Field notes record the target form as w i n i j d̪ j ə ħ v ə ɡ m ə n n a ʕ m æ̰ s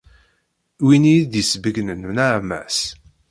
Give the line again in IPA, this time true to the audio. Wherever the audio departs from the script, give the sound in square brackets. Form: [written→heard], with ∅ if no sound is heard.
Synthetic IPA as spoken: w i n i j d̪ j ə [ħ→s] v ə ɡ [m→n] ə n n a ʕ m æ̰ s